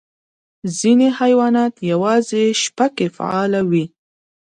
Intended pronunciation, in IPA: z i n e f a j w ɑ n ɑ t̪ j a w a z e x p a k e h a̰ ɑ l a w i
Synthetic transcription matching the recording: z i n e h a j w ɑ n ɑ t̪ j a w ɑ z e ʃ p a k e f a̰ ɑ l a w i